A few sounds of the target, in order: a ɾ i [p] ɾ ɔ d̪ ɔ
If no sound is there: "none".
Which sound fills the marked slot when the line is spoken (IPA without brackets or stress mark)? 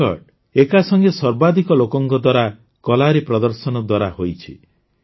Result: p